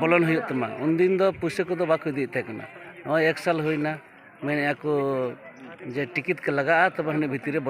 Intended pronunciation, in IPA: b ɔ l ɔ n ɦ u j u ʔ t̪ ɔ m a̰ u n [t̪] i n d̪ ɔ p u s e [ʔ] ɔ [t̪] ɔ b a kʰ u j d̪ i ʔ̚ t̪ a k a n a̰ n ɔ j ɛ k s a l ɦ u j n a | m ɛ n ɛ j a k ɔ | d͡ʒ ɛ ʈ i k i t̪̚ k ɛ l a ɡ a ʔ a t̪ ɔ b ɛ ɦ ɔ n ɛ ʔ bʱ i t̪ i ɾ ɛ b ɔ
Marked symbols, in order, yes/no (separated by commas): no, no, no